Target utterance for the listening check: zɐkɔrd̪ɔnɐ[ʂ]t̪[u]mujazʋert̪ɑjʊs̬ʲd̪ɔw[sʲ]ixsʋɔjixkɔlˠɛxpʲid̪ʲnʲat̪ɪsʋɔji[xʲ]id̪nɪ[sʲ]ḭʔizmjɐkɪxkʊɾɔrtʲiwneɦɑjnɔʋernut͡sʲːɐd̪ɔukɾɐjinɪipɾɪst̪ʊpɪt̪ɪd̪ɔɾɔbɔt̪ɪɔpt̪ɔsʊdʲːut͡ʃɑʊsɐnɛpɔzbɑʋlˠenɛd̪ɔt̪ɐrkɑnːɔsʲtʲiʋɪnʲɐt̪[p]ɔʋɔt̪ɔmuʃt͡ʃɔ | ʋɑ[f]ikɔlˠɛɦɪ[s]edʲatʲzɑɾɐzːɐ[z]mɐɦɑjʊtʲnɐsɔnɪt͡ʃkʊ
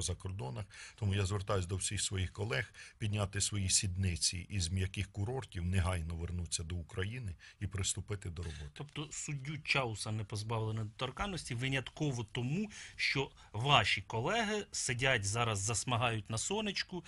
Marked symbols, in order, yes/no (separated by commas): no, no, yes, no, no, no, no, yes, no